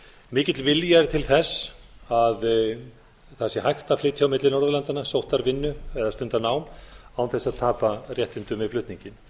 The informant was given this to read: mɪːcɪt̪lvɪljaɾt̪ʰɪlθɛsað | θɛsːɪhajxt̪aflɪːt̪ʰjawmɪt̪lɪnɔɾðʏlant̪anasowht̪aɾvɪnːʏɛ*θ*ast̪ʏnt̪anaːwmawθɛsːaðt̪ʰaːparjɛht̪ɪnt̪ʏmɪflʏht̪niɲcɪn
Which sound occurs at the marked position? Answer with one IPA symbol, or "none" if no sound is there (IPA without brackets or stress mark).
ð